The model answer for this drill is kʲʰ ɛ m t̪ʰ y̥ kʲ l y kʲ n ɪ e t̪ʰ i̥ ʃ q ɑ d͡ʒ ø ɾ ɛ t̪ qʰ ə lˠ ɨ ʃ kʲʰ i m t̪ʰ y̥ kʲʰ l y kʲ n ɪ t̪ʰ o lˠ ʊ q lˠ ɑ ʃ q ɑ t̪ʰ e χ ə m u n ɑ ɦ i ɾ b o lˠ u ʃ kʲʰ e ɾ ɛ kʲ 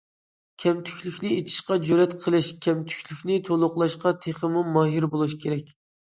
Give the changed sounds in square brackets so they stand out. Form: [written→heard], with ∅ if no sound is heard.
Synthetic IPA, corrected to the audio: kʲʰ ɛ m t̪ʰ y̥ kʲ l y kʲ n ɪ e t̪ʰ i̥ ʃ q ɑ d͡ʒ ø ɾ ɛ t̪ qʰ ə lˠ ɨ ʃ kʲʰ [i→ɛ] m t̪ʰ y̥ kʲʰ l y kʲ n ɪ t̪ʰ o lˠ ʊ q lˠ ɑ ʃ q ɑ t̪ʰ e χ ə m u [n→m] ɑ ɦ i ɾ b o lˠ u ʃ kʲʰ e ɾ ɛ kʲ